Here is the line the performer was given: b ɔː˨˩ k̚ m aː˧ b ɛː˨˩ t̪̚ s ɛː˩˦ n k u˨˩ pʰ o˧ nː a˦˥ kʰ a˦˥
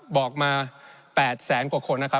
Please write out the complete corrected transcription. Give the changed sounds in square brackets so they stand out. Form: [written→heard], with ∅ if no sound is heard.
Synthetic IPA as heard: b ɔː˨˩ k̚ m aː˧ [b→p] ɛː˨˩ t̪̚ s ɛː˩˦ n k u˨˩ [pʰ→kʰ] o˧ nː a˦˥ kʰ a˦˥